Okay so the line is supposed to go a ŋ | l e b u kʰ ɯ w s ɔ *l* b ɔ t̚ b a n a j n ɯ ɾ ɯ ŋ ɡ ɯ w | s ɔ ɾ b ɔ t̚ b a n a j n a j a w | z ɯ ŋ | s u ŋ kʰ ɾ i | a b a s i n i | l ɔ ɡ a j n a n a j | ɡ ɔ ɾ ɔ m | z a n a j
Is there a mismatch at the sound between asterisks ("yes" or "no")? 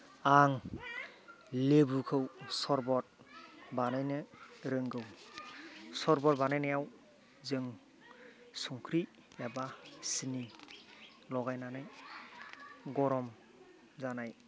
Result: yes